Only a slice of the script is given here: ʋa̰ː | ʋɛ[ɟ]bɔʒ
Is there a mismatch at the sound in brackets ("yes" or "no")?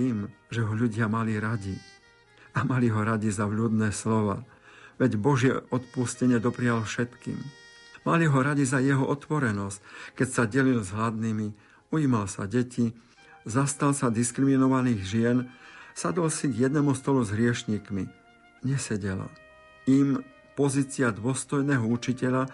no